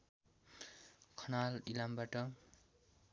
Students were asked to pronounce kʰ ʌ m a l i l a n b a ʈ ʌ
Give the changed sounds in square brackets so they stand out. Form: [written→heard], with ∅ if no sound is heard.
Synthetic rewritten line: kʰ ʌ [m→n] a l i l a [n→m] b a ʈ ʌ

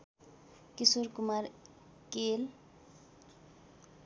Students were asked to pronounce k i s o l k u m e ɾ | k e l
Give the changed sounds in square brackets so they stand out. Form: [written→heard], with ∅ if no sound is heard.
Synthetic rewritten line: k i s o [l→ɾ] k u m [e→a] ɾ | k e l

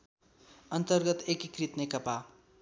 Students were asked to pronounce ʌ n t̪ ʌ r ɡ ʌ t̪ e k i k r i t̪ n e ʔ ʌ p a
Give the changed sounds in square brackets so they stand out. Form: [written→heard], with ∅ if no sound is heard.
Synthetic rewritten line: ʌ n t̪ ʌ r ɡ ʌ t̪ e k i k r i t̪ n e [ʔ→k] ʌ p a

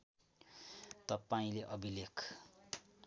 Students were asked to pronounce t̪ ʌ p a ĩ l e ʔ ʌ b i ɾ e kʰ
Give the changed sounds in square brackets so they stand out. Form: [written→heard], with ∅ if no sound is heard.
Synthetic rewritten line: t̪ ʌ p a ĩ l e ʔ ʌ b i [ɾ→l] e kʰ

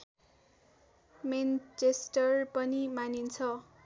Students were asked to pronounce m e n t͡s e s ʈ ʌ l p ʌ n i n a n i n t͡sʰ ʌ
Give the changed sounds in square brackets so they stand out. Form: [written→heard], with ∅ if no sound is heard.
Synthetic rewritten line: m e n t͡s e s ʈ ʌ [l→r] p ʌ n i [n→m] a n i n t͡sʰ ʌ

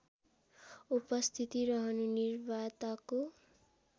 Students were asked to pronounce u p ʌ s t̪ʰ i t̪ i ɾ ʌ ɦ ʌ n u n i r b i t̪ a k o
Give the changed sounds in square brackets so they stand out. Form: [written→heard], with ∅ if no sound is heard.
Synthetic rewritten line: u p ʌ s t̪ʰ i t̪ i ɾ ʌ ɦ ʌ n u n i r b [i→a] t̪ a k o

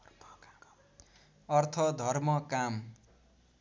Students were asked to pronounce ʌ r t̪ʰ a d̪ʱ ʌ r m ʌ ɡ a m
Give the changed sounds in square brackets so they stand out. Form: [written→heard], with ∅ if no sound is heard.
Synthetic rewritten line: ʌ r t̪ʰ [a→ʌ] d̪ʱ ʌ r m ʌ [ɡ→k] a m

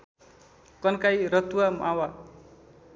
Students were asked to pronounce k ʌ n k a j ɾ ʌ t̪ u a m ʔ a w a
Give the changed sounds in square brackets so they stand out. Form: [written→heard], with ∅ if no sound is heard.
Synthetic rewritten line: k ʌ n k a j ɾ ʌ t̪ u a m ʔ a w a

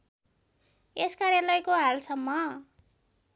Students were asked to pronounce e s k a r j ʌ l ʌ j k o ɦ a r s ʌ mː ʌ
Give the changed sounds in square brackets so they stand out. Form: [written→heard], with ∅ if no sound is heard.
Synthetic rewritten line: e s k a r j [ʌ→a] l ʌ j k o ɦ a [r→l] s ʌ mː ʌ

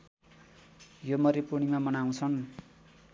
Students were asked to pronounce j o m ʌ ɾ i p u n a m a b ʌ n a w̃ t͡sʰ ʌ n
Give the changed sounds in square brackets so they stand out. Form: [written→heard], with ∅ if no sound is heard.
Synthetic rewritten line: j o m ʌ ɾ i p u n [a→i] m a [b→m] ʌ n a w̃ t͡sʰ ʌ n

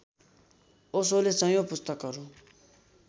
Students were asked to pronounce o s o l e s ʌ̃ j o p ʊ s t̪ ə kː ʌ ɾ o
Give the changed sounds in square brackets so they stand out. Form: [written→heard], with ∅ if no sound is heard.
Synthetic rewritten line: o s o l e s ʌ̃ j o p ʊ s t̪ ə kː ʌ ɾ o

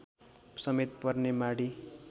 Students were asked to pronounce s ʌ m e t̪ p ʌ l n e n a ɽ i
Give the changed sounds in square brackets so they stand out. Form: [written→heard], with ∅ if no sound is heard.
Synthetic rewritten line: s ʌ m e t̪ p ʌ [l→r] n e [n→m] a ɽ i

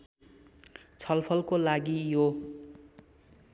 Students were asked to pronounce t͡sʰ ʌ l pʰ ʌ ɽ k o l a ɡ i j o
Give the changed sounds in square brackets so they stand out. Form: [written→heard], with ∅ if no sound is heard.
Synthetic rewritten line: t͡sʰ ʌ l pʰ ʌ [ɽ→l] k o l a ɡ i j o

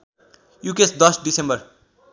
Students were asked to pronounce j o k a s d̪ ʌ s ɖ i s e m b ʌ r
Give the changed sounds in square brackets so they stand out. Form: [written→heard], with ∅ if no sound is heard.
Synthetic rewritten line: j [o→u] k [a→e] s d̪ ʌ s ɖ i s e m b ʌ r

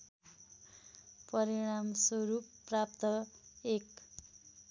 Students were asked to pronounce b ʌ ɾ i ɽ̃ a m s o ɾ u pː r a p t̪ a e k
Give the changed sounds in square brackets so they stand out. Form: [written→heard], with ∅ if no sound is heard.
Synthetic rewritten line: [b→p] ʌ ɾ i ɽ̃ a m s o ɾ u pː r a p t̪ [a→ʌ] e k

